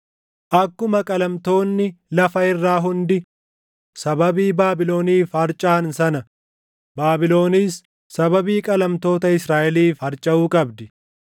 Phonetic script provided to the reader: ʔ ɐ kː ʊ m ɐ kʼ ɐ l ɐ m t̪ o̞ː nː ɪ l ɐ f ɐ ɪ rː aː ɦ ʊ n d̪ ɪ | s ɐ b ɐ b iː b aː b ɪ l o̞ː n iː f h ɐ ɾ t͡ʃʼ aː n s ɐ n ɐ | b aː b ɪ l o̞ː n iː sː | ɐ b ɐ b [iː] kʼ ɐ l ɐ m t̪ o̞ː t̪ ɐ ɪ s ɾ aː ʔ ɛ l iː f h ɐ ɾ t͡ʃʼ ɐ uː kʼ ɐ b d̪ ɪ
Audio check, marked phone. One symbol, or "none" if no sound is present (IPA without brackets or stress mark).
iː